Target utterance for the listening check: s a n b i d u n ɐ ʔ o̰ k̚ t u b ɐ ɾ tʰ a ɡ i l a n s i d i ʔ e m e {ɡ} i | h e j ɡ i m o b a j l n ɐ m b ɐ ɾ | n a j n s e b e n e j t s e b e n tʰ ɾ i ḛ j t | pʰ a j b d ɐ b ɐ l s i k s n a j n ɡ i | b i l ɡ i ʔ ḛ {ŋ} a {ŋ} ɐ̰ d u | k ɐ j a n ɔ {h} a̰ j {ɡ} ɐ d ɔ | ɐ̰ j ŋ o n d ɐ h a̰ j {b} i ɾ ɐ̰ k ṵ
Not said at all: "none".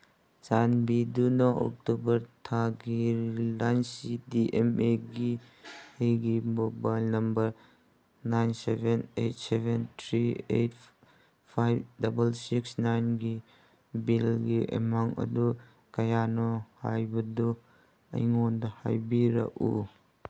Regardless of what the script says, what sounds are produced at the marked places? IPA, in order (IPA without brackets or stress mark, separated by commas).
ɡ, m, ŋ, h, b, b